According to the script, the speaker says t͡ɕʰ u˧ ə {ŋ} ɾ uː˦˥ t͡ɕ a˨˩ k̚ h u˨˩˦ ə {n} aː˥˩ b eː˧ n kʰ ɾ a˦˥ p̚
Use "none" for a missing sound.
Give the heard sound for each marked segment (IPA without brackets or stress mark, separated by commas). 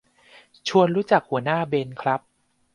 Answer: n, n